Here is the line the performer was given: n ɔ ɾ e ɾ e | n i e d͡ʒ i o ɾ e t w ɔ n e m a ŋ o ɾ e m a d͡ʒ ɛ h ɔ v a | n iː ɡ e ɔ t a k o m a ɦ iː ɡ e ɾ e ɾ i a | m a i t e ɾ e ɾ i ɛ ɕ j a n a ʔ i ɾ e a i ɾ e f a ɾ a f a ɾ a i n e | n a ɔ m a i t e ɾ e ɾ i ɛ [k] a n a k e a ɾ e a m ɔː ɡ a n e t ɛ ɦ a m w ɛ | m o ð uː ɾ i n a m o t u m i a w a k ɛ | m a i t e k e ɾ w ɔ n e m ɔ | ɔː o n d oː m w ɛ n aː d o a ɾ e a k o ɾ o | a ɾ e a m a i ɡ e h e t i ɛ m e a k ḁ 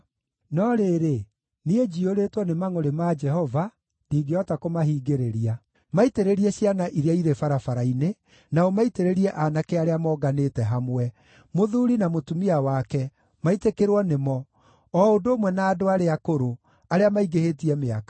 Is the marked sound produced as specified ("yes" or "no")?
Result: no